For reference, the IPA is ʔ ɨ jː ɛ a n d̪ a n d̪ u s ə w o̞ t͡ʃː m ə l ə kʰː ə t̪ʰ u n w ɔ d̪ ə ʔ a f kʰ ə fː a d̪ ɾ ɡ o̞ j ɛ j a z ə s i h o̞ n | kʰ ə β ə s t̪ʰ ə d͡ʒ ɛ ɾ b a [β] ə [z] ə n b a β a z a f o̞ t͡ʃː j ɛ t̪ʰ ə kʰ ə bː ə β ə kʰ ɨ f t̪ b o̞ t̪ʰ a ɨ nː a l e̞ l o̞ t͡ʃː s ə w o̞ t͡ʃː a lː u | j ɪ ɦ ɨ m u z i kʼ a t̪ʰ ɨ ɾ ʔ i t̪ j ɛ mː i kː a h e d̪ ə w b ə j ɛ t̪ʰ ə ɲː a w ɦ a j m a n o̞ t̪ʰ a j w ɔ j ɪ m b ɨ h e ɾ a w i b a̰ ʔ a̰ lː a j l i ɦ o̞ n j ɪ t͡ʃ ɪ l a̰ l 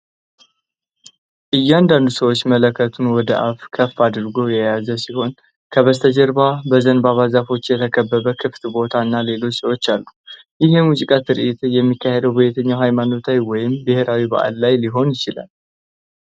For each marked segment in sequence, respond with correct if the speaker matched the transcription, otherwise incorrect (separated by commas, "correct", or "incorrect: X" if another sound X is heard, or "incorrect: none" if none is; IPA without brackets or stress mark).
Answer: incorrect: b, correct